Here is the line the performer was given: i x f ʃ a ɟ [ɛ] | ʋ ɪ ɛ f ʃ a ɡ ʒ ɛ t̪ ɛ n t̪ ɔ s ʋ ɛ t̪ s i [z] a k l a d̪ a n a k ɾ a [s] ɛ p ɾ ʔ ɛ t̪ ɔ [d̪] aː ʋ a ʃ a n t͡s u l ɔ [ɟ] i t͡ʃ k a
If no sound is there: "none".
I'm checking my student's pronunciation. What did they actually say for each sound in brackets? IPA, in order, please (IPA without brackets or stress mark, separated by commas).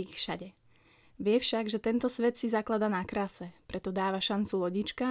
ɛ, z, s, d̪, ɟ